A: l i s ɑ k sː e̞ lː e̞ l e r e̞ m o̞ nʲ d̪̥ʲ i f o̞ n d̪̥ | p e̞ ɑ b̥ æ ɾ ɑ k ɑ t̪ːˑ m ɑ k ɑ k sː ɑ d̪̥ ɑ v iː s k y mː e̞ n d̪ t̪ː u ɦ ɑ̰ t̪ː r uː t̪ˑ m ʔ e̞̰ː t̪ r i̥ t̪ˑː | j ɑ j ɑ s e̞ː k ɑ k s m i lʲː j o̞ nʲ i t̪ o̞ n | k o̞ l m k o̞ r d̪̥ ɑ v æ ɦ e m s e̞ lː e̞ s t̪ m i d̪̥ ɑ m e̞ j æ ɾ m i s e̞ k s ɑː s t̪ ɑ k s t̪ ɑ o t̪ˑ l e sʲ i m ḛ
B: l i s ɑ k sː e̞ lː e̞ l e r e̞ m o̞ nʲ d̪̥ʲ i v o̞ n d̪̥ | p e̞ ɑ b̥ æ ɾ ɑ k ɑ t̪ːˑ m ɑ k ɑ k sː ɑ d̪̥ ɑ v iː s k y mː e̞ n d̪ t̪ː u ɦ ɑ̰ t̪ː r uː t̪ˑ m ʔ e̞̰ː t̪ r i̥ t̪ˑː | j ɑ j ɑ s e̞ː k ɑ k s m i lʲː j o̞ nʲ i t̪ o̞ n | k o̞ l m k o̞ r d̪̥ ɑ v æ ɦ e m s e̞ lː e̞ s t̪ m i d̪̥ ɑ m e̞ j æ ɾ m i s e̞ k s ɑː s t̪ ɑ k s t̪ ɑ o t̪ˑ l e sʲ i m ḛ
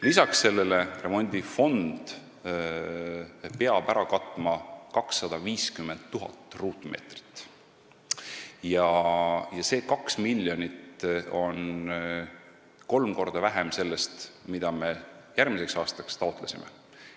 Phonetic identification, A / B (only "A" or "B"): A